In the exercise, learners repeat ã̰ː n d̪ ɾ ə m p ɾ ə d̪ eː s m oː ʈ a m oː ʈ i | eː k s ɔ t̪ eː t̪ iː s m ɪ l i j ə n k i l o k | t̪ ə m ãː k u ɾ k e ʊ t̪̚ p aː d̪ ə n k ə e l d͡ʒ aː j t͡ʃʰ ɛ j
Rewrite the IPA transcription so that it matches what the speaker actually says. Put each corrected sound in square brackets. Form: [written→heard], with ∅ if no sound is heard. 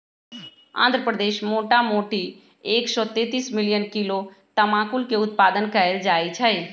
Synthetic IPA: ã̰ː n d̪ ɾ ə [m→∅] p ɾ ə d̪ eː [s→ʃ] m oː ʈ a m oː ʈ i | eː k s ɔ t̪ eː t̪ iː s m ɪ l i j ə n k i l o [k→∅] | t̪ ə m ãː k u [ɾ→l] k e ʊ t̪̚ p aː d̪ ə n k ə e l d͡ʒ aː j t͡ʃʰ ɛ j